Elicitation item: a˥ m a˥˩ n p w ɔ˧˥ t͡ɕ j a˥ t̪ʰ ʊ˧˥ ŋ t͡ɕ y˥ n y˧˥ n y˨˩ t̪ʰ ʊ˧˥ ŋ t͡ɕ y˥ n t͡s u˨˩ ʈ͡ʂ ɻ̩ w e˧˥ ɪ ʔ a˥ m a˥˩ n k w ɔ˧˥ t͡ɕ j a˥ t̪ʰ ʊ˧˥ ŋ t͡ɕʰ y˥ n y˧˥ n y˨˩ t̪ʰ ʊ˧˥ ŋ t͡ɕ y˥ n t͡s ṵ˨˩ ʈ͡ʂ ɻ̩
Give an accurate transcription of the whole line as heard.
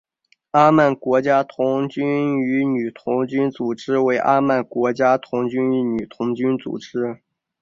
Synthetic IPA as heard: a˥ m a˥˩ n k w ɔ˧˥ t͡ɕ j a˥ t̪ʰ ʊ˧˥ ŋ t͡ɕ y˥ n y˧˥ n y˨˩ t̪ʰ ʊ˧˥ ŋ t͡ɕ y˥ n t͡s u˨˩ ʈ͡ʂ ɻ̩ w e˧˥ ɪ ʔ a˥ m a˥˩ n k w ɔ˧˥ t͡ɕ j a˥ t̪ʰ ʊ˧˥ ŋ t͡ɕ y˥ n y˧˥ n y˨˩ t̪ʰ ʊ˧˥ ŋ t͡ɕ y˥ n t͡s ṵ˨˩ ʈ͡ʂ ɻ̩